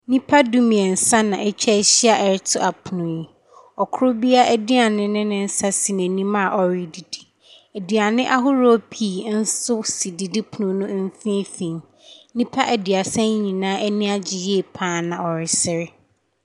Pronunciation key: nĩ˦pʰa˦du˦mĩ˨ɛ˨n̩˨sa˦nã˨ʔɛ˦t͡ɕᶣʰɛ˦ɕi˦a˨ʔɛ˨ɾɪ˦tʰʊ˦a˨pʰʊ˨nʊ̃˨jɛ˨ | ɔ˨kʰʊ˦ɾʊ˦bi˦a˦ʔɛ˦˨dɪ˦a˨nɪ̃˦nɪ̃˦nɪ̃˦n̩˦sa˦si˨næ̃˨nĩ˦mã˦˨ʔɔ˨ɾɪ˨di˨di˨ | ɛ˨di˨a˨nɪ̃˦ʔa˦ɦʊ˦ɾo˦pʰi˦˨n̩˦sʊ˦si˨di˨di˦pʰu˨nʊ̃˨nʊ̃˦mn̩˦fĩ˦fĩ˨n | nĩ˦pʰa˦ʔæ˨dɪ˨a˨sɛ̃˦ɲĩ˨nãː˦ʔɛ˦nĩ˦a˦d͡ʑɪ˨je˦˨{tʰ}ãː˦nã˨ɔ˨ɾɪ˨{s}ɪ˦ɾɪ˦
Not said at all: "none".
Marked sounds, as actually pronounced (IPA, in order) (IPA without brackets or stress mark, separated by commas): pʰ, s